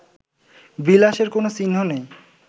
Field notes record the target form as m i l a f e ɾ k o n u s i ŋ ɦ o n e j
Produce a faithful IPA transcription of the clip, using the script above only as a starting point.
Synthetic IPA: b i l a ʃ e ɾ k o n o s i n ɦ o n e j